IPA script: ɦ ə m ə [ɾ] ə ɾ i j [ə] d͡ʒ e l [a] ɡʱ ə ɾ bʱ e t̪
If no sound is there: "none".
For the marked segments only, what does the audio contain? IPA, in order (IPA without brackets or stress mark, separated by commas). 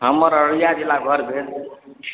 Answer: ɾ, a, a